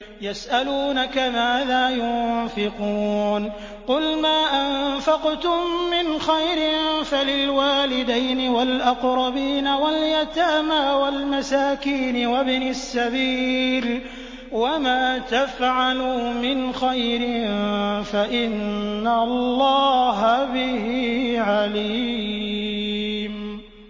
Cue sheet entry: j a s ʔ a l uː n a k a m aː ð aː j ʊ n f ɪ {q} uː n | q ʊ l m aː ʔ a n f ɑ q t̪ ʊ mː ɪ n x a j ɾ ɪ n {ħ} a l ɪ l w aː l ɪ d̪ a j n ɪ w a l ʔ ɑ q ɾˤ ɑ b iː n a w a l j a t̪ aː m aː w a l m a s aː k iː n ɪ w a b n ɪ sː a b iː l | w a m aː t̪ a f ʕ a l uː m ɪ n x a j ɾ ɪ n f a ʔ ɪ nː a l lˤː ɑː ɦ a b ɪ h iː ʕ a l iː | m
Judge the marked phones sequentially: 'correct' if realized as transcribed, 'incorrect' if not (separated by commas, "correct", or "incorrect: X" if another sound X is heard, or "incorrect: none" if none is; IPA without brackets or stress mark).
correct, incorrect: f